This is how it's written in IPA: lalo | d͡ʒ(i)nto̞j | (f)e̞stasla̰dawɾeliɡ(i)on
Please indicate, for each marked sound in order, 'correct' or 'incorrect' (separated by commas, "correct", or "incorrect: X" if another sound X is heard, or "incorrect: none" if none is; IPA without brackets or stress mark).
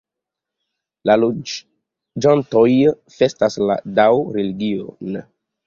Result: incorrect: a, correct, correct